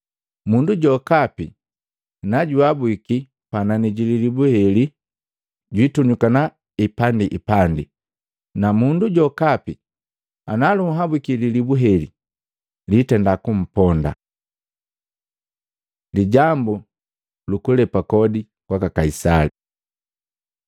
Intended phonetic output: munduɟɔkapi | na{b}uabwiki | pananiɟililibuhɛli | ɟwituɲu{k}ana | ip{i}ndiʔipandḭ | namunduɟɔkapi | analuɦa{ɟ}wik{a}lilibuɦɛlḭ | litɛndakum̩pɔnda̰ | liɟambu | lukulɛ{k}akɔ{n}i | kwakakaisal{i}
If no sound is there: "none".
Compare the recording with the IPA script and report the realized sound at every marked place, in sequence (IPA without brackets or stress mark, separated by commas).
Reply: ɟ, k, a, b, i, p, d, i